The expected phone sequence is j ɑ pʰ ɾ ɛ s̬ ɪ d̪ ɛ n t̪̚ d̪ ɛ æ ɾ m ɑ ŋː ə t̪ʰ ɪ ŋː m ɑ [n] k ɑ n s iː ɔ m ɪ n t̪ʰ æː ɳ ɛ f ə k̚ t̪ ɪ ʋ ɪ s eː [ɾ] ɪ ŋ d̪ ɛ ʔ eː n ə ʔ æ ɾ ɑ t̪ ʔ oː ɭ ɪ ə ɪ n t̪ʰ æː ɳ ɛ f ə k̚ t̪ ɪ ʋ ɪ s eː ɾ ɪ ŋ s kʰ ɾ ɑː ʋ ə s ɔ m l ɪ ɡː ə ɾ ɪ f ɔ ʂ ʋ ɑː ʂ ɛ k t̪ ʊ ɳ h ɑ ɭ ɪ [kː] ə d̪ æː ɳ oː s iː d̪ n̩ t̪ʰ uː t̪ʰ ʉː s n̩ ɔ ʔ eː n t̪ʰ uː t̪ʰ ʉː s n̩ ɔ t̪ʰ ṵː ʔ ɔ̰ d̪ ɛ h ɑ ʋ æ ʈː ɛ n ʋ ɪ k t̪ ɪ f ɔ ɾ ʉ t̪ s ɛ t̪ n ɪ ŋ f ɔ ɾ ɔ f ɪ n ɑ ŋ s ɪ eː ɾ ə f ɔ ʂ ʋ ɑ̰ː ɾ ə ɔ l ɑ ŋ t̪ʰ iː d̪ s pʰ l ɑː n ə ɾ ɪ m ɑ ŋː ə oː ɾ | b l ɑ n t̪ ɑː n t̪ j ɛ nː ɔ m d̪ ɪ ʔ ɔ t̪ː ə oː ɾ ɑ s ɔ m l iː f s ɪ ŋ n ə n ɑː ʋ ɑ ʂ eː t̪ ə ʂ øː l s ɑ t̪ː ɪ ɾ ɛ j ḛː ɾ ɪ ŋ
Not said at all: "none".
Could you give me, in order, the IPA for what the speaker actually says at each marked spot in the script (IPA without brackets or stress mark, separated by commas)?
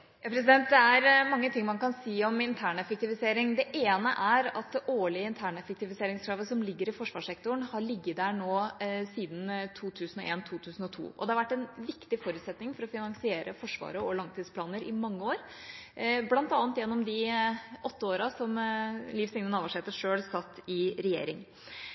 n, ɾ, ɡː